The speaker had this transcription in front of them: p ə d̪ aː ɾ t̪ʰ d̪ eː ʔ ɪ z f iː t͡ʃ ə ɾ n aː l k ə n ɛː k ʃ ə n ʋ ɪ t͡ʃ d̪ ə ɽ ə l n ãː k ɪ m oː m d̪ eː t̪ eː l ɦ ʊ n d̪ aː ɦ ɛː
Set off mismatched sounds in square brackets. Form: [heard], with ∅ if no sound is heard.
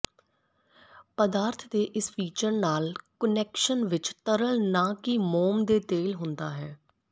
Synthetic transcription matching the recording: p ə d̪ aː ɾ t̪ʰ d̪ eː ʔ ɪ [s] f iː t͡ʃ ə ɾ n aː l k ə n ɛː k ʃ ə n ʋ ɪ t͡ʃ [t̪] ə [ɾ] ə l n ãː k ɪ m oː m d̪ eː t̪ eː l ɦ ʊ n d̪ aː ɦ ɛː